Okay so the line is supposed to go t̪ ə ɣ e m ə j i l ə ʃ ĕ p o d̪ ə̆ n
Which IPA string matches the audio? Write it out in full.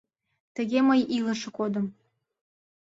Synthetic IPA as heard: t̪ ə ɣ e m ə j i l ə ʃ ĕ k o d̪ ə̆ m